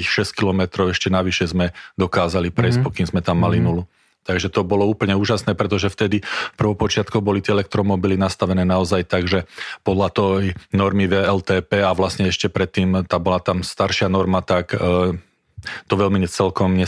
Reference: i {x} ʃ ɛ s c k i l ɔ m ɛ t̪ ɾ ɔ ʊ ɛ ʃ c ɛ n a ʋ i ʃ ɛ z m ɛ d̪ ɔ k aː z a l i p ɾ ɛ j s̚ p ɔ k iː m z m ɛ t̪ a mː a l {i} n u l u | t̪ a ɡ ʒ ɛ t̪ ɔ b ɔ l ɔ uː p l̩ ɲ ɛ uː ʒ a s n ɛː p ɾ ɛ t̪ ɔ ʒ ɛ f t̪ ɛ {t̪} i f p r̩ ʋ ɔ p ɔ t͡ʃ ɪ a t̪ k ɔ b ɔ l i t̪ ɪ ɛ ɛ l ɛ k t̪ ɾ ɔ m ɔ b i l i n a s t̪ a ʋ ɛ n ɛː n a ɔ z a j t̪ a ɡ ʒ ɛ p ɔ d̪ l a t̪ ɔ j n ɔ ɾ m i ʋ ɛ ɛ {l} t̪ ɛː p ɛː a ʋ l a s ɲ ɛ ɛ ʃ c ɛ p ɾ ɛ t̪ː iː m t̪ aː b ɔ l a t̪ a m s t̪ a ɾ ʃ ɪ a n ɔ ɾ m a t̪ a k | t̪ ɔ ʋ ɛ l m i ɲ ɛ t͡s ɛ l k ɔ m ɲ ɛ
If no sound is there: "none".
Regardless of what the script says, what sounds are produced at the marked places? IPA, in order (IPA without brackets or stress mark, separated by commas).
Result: x, i, d̪, l